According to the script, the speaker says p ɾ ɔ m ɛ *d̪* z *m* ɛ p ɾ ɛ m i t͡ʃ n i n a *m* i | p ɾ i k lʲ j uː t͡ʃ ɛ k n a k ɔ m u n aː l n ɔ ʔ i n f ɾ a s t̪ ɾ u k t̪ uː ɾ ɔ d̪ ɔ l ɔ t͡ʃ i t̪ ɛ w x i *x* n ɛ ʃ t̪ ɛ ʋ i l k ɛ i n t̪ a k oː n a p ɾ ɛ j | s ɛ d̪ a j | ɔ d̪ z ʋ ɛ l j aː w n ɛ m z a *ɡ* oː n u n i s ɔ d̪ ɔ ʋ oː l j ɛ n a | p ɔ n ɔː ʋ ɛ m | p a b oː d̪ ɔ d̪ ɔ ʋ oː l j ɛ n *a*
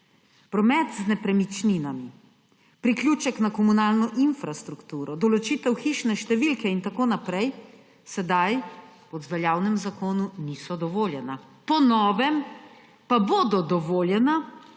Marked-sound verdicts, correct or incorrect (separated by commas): incorrect, incorrect, correct, incorrect, incorrect, correct